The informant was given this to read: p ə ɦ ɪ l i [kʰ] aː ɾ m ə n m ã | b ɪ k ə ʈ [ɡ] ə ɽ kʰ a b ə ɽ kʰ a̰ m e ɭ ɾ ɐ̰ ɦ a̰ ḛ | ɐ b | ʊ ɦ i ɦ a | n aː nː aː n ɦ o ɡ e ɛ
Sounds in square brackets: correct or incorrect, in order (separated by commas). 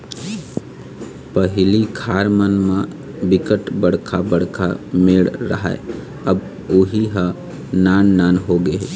correct, incorrect